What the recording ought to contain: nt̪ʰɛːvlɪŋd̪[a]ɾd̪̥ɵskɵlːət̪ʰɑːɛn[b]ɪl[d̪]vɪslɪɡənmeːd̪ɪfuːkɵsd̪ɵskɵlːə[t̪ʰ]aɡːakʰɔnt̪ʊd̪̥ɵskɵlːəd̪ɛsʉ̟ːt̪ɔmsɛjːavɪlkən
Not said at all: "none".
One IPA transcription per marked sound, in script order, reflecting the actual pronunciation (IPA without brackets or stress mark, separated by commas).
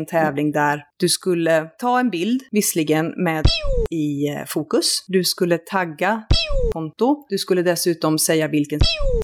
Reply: æ, b, d̪, t̪ʰ